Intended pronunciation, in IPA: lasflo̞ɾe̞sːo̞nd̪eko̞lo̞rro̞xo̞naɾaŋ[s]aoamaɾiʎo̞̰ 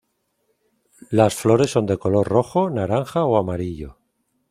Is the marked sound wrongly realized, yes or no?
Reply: yes